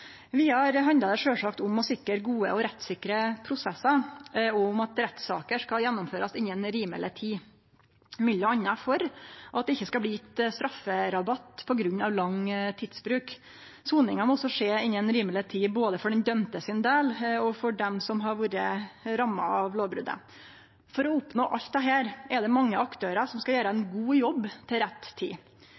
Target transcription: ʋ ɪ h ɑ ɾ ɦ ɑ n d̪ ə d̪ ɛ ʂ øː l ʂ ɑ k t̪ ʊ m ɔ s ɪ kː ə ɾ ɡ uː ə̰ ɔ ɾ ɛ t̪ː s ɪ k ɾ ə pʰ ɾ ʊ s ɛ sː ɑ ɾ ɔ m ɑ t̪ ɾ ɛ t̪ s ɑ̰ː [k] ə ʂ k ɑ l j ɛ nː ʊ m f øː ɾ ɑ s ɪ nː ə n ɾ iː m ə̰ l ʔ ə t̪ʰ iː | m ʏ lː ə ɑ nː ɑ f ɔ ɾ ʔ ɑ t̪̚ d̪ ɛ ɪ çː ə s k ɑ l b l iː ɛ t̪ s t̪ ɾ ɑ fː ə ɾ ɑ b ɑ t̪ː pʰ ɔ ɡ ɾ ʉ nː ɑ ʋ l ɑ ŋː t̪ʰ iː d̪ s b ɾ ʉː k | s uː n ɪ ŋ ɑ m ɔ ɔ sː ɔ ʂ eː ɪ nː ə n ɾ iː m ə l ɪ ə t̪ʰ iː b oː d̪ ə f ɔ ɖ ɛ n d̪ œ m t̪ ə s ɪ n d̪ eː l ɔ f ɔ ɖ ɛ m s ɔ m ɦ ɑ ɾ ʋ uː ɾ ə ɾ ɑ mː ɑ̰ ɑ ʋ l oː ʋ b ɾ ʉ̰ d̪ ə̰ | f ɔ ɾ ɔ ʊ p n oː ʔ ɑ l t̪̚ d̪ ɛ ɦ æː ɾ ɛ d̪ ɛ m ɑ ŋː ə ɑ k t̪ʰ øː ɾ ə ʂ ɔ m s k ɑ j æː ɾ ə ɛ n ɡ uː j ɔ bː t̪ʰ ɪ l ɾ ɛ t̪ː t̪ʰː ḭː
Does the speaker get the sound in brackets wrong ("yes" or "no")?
no